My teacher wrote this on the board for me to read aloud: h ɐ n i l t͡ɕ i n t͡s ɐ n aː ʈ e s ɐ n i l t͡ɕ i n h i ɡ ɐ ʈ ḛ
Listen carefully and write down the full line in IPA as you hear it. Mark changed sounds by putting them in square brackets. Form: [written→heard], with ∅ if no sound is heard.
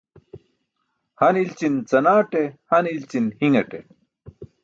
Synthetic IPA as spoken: h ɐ n i l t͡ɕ i n t͡s ɐ n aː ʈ e [s→h] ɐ n i l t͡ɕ i n h i [ɡ→ŋ] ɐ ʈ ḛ

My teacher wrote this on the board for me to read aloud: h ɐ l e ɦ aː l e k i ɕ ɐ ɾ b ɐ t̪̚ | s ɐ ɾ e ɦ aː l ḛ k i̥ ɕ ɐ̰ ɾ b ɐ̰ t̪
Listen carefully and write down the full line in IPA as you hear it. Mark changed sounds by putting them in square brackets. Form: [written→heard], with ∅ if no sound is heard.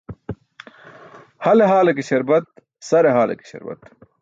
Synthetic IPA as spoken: h ɐ l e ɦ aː l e k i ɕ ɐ ɾ b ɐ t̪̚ | s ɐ ɾ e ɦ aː l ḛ k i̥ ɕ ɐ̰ ɾ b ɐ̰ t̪

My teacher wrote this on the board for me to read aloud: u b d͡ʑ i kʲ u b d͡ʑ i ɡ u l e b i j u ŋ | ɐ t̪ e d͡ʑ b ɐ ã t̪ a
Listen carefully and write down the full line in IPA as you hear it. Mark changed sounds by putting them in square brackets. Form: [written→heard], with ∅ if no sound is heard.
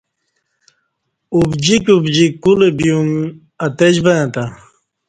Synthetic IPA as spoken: u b d͡ʑ i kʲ u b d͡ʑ i [ɡ→k] u l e b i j u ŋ | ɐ t̪ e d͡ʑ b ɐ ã t̪ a

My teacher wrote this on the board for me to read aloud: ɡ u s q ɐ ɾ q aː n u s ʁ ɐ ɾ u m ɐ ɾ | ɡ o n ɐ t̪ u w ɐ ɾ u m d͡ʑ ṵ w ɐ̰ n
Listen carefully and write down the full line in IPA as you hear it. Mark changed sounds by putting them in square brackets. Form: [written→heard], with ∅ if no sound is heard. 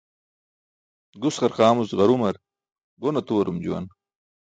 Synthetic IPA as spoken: ɡ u s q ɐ ɾ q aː [n→m] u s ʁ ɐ ɾ u m ɐ ɾ | ɡ o n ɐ t̪ u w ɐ ɾ u m d͡ʑ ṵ w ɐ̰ n

